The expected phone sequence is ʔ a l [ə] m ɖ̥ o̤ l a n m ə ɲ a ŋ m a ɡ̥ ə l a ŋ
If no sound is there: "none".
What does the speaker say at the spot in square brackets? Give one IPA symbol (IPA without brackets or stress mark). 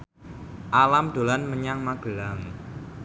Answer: a